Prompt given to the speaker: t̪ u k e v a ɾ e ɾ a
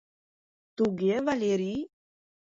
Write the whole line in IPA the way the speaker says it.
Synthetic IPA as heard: t̪ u ɡ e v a l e ɾ i